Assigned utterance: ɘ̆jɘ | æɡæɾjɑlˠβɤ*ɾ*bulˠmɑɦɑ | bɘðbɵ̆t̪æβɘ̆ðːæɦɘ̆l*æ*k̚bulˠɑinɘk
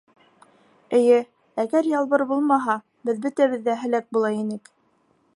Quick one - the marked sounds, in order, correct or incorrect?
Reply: correct, correct

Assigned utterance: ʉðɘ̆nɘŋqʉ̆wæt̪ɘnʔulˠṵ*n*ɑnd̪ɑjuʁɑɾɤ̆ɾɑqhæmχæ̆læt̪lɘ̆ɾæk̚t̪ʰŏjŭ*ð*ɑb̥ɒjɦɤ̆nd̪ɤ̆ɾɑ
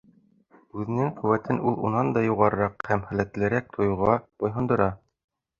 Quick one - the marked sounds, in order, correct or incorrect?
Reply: correct, incorrect: ʁ

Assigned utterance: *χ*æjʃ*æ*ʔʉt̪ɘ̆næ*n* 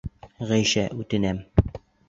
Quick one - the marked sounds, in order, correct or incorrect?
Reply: incorrect: ʁ, correct, incorrect: m

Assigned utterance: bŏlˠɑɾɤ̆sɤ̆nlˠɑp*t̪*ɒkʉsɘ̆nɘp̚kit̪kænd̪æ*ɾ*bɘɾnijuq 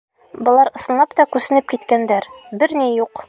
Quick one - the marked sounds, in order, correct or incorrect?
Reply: correct, correct

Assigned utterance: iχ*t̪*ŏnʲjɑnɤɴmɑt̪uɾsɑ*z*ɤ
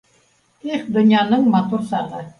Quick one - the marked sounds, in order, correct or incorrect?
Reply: incorrect: d̪, incorrect: ʁ

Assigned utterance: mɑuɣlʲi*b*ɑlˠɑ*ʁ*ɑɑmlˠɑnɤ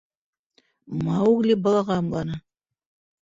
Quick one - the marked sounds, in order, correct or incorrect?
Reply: correct, correct

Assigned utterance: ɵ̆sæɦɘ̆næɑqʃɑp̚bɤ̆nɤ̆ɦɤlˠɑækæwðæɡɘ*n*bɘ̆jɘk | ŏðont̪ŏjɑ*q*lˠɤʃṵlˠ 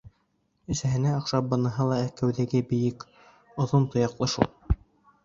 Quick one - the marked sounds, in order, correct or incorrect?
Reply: incorrect: none, correct

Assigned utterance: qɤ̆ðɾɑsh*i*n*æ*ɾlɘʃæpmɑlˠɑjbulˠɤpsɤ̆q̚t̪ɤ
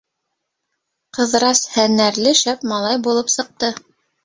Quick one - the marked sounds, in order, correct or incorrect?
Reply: incorrect: æ, correct

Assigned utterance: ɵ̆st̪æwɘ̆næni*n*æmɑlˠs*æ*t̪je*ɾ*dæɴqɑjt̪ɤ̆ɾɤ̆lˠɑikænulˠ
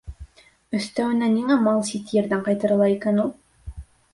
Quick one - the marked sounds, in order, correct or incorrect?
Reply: incorrect: ŋ, incorrect: i, correct

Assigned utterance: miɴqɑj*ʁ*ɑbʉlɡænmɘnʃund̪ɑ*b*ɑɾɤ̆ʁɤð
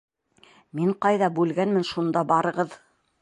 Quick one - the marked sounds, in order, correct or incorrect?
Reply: incorrect: ð, correct

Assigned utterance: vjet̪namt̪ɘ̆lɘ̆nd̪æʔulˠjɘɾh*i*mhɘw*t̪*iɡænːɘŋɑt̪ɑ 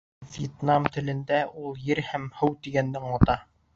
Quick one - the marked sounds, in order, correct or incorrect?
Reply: incorrect: æ, correct

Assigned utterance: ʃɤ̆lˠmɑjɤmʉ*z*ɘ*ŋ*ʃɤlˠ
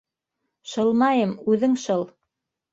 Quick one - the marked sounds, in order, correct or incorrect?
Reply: incorrect: ð, correct

